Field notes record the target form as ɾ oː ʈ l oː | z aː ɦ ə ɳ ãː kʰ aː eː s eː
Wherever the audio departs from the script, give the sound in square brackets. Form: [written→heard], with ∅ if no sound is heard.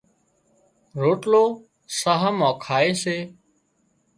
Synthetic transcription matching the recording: ɾ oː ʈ l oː | [z→s] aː ɦ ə [ɳ→m] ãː kʰ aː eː s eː

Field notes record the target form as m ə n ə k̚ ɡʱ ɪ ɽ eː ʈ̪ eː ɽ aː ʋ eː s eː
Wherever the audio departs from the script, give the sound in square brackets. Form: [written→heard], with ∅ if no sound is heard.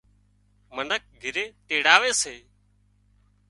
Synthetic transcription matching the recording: m ə n ə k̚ ɡʱ ɪ [ɽ→ɾ] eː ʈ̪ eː ɽ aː ʋ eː s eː

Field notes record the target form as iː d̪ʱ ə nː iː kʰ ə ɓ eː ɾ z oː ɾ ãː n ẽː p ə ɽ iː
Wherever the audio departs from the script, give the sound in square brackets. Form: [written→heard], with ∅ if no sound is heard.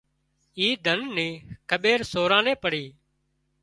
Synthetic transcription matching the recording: iː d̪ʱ ə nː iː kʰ ə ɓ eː ɾ [z→s] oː ɾ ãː n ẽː p ə ɽ iː

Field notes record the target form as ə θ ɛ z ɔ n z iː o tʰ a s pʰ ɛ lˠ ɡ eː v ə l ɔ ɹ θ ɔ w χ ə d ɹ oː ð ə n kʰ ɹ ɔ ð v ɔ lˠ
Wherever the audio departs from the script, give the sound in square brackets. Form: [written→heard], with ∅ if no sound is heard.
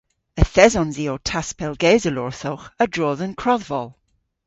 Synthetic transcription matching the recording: ə θ ɛ z ɔ n z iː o tʰ a s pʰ ɛ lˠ ɡ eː [v→z] ə l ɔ ɹ θ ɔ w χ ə d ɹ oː ð ə n kʰ ɹ ɔ ð v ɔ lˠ

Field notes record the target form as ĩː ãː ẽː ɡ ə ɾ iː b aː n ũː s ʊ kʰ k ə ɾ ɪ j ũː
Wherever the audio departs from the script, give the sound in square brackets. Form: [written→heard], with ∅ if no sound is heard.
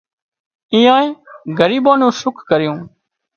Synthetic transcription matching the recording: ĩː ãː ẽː ɡ ə ɾ iː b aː n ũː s ʊ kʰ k ə ɾ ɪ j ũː

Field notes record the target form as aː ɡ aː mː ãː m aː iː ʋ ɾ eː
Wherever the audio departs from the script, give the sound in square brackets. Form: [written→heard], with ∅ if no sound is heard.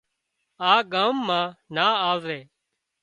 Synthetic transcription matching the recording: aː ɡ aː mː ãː [m→n] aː [iː→aː] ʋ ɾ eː

